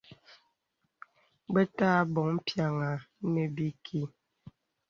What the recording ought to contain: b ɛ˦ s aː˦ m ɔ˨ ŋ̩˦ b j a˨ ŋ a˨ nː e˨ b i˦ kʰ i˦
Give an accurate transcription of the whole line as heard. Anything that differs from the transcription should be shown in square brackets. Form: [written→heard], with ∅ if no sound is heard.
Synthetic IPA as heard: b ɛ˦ [s→t] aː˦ [m→b] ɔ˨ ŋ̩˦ [b→p] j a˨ ŋ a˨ [nː→n] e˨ b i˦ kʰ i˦